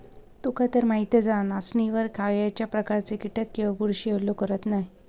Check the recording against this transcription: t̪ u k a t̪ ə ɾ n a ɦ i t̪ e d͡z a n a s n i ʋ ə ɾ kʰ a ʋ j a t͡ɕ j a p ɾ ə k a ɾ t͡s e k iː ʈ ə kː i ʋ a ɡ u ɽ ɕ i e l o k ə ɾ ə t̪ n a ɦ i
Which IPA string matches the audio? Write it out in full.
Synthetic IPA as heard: t̪ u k a t̪ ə ɾ m a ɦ i t̪ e d͡z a n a s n i ʋ ə ɾ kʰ a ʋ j a t͡ɕ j a p ɾ ə k a ɾ t͡s e k i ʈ ə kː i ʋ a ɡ u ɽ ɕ i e l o k ə ɾ ə t̪ n a ɦ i